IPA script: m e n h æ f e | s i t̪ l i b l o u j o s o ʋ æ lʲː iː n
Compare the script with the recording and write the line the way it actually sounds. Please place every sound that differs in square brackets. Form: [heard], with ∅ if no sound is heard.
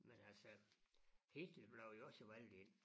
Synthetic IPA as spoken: m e n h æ [s] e | [h] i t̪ l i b l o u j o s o ʋ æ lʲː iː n